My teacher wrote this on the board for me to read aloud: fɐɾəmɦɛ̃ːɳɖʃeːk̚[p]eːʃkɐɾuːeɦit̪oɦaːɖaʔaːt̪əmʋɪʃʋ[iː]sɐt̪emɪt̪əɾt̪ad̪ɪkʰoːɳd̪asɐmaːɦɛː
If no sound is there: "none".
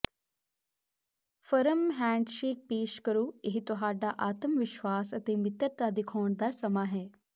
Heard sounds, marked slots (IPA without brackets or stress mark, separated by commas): p, aː